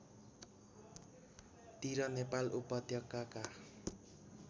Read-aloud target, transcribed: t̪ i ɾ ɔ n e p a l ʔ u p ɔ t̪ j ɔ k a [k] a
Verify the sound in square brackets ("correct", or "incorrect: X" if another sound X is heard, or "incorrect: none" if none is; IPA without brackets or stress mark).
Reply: correct